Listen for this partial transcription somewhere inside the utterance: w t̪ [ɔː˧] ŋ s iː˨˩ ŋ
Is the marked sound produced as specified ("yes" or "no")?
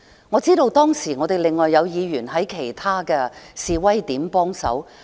no